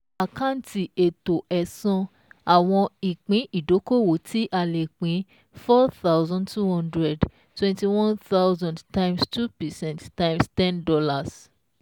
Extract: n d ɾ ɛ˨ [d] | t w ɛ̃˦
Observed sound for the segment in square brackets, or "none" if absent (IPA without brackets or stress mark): d